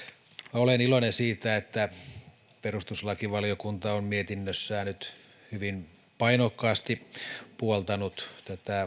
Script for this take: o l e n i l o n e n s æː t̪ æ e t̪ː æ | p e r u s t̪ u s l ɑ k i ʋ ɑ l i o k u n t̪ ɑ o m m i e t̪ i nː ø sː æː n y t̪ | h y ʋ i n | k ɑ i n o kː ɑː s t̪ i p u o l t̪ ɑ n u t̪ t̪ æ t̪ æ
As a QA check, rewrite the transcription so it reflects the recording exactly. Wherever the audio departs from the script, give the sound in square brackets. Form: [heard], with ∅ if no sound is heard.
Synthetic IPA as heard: o l e n i l o n e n s [iː] t̪ æ e t̪ː æ | p e r u s t̪ u s l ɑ k i ʋ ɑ l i o k u n t̪ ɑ o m m i e t̪ i nː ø sː æː n y t̪ | h y ʋ i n | [p] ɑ i n o kː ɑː s t̪ i p u o l t̪ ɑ n u t̪ t̪ æ t̪ æ